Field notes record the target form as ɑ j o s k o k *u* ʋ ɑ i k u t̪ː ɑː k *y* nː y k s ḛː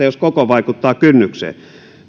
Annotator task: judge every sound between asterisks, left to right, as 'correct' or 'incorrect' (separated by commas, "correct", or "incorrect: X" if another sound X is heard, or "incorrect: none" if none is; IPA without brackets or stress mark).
incorrect: o, correct